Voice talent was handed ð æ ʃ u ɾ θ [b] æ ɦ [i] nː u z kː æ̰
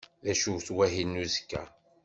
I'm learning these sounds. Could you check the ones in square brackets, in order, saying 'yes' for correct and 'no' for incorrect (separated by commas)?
no, yes